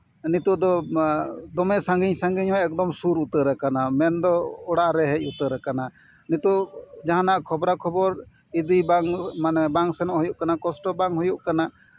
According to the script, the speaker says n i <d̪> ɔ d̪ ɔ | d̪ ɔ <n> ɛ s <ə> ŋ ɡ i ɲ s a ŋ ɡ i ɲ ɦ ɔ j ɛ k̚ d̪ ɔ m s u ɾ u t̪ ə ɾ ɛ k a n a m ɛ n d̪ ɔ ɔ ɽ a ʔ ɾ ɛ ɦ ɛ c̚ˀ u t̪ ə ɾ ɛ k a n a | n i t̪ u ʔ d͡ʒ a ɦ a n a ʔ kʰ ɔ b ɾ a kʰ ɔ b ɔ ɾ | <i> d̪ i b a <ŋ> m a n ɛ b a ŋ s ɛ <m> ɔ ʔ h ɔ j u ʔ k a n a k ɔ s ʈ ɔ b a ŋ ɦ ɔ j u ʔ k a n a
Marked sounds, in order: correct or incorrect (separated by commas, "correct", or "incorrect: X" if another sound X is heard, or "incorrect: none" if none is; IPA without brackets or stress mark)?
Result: incorrect: t̪, incorrect: m, incorrect: a, correct, correct, incorrect: n